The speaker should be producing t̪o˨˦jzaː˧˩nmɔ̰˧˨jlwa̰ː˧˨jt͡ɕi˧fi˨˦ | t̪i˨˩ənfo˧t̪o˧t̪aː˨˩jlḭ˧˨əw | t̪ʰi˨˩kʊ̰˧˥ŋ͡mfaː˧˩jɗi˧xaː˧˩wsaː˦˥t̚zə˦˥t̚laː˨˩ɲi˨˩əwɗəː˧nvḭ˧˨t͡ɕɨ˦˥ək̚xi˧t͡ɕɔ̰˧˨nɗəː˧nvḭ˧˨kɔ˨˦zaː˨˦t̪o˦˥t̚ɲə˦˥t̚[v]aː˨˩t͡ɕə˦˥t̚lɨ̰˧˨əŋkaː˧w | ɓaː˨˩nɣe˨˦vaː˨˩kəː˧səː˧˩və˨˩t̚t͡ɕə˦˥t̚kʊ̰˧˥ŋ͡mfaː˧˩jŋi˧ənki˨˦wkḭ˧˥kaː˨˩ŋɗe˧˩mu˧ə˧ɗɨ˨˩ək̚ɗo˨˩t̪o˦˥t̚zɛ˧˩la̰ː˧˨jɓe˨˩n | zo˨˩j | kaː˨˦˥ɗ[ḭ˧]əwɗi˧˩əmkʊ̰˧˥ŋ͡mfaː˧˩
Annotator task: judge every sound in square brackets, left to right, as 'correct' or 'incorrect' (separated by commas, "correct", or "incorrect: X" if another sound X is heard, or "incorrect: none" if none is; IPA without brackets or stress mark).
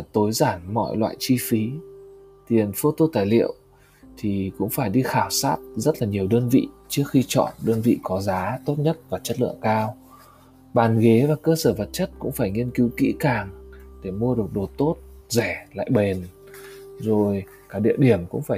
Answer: correct, correct